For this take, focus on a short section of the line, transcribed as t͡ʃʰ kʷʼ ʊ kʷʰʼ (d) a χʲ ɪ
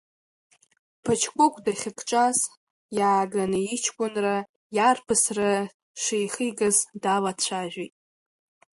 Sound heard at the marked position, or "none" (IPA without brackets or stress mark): d